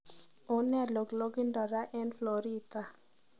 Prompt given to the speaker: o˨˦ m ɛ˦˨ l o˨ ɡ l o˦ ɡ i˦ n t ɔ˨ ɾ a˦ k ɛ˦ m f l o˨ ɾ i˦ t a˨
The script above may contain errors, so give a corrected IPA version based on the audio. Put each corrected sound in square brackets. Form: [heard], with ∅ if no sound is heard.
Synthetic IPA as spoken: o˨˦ [n] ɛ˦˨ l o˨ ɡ l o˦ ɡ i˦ n [d] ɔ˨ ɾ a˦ [ʔ] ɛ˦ [n] f l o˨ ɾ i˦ t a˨